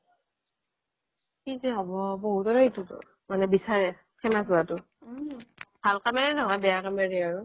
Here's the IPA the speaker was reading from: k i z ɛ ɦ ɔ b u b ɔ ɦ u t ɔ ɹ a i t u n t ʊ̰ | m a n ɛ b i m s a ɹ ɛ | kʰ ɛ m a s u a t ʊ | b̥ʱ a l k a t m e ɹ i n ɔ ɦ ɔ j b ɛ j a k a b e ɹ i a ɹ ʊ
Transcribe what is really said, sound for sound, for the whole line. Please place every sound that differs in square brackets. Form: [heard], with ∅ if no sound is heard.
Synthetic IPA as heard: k i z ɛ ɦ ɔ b [ɔ] b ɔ ɦ u t ɔ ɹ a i t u [∅] t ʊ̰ | m a n ɛ b i [∅] s a ɹ ɛ | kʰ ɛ m a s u a t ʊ | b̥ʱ a l k a [∅] m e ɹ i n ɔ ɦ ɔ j b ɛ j a k a [m] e ɹ i a ɹ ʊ